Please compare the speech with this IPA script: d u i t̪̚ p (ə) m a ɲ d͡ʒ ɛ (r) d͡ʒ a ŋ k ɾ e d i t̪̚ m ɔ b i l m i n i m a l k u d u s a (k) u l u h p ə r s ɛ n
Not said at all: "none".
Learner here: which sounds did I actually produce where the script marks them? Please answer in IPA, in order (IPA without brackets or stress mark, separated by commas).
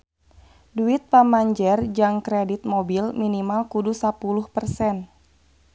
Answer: a, r, p